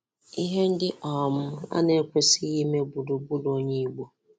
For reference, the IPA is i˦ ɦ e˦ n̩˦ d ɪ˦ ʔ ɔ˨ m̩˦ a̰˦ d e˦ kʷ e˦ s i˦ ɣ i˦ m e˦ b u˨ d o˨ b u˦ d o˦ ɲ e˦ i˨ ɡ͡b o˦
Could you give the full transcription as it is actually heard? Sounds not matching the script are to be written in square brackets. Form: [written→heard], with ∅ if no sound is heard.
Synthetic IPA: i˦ ɦ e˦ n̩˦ d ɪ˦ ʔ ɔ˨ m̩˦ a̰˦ [d→n] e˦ kʷ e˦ s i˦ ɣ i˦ m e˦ b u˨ d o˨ b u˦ d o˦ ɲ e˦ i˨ ɡ͡b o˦